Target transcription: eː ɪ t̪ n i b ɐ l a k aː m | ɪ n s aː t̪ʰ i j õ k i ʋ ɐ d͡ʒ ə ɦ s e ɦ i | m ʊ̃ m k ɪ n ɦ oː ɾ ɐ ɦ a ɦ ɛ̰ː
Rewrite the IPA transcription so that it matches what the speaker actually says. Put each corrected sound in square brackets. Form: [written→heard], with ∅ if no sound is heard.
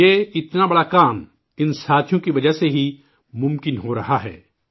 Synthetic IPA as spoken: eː ɪ t̪ n [i→a] b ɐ [l→ɽ] a k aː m | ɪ n s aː t̪ʰ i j õ k i ʋ ɐ d͡ʒ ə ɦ s e ɦ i | m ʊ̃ m k ɪ n ɦ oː ɾ ɐ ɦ a ɦ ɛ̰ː